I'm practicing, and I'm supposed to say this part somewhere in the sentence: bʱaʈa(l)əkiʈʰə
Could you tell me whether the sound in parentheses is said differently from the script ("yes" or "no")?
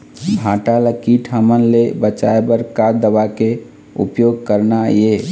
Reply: no